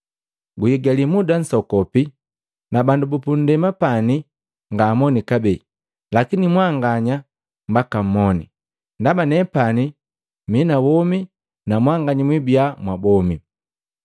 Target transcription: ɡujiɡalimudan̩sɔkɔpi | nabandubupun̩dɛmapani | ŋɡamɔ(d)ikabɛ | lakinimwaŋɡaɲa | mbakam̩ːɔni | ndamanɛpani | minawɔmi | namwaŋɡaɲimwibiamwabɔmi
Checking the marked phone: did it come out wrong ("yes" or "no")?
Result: yes